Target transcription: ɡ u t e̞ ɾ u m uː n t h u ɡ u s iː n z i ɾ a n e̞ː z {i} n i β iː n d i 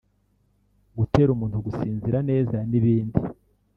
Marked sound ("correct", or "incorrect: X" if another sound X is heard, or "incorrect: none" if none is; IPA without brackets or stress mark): incorrect: a